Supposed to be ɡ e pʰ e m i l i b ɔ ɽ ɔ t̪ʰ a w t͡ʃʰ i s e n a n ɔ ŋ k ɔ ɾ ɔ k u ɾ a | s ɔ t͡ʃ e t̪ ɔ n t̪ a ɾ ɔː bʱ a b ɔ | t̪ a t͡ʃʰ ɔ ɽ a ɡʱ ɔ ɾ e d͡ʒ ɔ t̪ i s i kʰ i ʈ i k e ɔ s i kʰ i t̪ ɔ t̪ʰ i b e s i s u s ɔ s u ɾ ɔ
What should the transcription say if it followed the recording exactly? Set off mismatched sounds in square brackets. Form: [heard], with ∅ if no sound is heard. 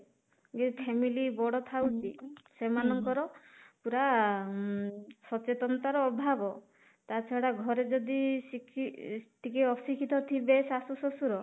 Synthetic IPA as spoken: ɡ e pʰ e m i l i b ɔ ɽ ɔ t̪ʰ a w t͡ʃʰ i s e [m] a n ɔ ŋ k ɔ ɾ ɔ [p] u ɾ a | s ɔ t͡ʃ e t̪ ɔ n t̪ a ɾ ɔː bʱ a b ɔ | t̪ a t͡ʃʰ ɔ ɽ a ɡʱ ɔ ɾ e d͡ʒ ɔ [d̪] i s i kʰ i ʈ i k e ɔ s i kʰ i t̪ ɔ t̪ʰ i b e s [a] s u s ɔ s u ɾ ɔ